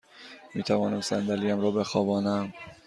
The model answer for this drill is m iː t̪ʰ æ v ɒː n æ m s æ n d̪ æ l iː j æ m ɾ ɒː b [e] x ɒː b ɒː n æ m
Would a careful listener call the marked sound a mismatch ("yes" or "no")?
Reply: no